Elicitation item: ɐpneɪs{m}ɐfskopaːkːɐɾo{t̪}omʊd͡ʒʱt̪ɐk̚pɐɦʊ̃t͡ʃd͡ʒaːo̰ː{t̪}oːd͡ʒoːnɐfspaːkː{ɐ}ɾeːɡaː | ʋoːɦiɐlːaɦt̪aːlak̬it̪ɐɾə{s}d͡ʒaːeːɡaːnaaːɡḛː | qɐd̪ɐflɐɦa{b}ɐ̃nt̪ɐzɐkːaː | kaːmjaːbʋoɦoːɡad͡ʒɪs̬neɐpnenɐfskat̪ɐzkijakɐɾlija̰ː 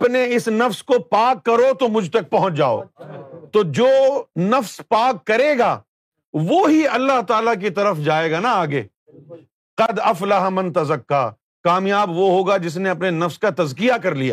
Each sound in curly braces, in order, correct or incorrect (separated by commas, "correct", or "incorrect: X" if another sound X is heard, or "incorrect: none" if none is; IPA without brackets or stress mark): incorrect: n, correct, correct, correct, incorrect: f, incorrect: m